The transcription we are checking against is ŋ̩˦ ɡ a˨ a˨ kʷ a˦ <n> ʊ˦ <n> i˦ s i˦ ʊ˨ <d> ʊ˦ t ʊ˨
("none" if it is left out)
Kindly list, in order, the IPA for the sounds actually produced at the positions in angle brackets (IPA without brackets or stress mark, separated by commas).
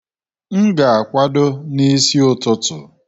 d, n, t